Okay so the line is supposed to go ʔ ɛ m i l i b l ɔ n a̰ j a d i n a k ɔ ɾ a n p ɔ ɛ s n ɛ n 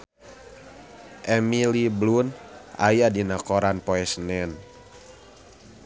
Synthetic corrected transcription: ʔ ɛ m i l i b l u n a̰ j a d i n a k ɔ ɾ a n p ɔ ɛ s n ɛ n